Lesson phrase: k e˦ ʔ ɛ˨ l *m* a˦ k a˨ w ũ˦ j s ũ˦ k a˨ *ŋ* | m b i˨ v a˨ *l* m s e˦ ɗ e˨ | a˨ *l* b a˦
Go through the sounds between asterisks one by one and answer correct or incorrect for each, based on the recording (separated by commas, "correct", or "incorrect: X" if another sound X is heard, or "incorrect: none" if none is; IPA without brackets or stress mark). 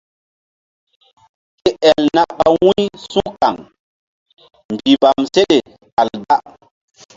incorrect: n, correct, incorrect: none, correct